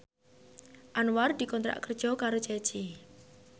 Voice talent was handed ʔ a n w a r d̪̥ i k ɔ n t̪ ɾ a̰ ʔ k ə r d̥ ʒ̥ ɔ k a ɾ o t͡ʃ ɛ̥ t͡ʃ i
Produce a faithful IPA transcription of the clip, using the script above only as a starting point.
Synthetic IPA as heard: ʔ a n w a r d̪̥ i k ɔ n t̪ ɾ a̰ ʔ k ə r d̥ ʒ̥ ɔ k a ɾ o t͡ʃ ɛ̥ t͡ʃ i